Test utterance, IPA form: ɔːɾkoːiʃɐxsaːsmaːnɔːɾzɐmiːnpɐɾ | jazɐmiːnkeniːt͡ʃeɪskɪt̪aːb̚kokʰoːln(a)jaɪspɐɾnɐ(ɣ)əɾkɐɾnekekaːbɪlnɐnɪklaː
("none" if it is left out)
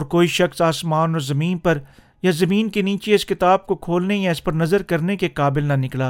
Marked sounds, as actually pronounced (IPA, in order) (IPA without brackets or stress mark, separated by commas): e, z